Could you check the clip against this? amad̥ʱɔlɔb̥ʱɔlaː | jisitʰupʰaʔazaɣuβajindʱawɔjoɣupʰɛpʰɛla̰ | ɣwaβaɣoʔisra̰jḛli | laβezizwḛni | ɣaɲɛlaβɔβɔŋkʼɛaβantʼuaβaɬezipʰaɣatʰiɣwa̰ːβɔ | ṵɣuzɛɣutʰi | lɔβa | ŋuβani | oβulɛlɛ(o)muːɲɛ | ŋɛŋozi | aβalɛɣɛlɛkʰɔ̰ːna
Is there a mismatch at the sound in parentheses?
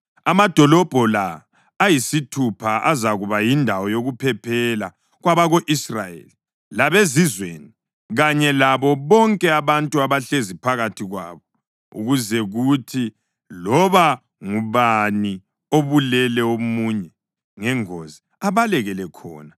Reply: no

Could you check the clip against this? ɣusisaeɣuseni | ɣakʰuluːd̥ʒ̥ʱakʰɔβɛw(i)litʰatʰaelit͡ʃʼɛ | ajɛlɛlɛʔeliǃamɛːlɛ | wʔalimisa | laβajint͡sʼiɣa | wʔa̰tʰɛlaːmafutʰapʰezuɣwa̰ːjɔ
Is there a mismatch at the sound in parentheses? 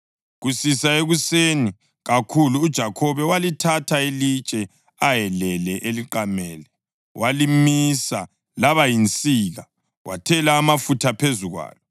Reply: yes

